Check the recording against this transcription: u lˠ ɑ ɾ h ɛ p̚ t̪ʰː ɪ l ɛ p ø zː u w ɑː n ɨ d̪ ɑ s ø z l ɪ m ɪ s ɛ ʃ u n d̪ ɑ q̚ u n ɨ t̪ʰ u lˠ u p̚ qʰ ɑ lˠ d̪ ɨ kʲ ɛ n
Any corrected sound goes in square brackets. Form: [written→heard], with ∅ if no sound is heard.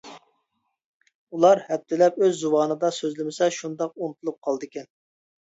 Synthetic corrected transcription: u lˠ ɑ ɾ h ɛ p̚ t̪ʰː ɪ l ɛ p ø zː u w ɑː n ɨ d̪ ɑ s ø z l ɪ m ɪ s ɛ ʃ u n d̪ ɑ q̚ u n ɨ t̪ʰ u lˠ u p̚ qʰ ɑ lˠ d̪ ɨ kʲ ɛ n